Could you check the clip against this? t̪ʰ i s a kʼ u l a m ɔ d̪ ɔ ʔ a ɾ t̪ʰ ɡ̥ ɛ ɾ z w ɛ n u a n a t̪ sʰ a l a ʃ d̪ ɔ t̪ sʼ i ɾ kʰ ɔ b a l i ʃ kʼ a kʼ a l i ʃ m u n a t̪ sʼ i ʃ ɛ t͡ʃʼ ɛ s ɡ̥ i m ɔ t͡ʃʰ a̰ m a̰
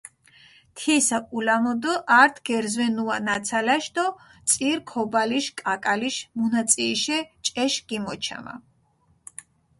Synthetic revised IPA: t̪ʰ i s a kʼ u l a m ɔ d̪ ɔ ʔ a ɾ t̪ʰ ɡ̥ ɛ ɾ z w ɛ n u a n a t̪ sʰ a l a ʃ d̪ ɔ t̪ sʼ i ɾ kʰ ɔ b a l i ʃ kʼ a kʼ a l i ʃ m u n a t̪ sʼ i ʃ ɛ t͡ʃʼ ɛ ʃ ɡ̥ i m ɔ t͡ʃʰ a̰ m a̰